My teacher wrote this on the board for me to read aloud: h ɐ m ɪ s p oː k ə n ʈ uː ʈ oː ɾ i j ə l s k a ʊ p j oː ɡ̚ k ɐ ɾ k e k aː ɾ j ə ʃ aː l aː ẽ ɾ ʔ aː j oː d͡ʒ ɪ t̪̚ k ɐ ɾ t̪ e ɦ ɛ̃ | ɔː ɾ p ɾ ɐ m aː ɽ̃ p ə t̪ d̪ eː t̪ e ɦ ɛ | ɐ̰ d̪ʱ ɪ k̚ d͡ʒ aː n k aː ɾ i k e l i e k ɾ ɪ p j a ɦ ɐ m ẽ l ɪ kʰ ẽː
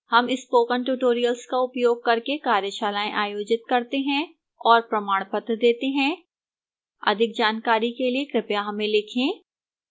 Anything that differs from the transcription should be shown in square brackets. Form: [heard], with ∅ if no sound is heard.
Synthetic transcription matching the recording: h ɐ m ɪ s p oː k ə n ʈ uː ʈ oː ɾ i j ə l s k a ʊ p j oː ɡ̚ k ɐ ɾ k e k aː ɾ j ə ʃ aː l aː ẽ [∅] ʔ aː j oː d͡ʒ ɪ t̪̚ k ɐ ɾ t̪ e ɦ ɛ̃ | ɔː ɾ p ɾ ɐ m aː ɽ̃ p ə t̪ d̪ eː t̪ e ɦ [ɛ̃] | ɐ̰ d̪ʱ ɪ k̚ d͡ʒ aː n k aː ɾ i k e l i e k ɾ ɪ p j a ɦ ɐ m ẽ l ɪ kʰ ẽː